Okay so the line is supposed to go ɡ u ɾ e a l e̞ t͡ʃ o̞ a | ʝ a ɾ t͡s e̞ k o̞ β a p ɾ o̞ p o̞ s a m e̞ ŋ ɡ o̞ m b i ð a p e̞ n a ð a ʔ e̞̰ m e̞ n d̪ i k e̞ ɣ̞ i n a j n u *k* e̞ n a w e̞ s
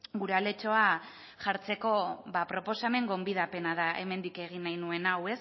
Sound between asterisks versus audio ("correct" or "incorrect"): incorrect